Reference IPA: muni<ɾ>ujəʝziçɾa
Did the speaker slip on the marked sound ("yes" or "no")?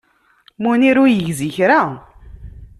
no